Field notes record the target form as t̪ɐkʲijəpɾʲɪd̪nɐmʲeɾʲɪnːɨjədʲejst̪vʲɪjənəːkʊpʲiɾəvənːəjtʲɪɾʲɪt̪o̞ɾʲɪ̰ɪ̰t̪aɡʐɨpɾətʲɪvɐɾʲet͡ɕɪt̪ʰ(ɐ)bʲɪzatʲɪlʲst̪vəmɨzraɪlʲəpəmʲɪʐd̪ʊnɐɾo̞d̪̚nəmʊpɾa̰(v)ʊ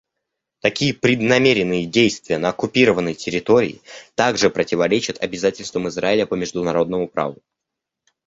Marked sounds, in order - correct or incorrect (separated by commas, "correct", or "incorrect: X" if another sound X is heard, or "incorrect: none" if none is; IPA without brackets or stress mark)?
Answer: correct, correct